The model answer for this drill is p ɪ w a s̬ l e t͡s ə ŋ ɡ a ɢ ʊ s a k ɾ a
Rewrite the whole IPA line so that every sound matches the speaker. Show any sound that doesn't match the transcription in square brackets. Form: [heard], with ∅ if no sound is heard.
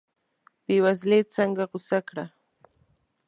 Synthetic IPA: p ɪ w a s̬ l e t͡s [a] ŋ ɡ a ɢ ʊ s a k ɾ a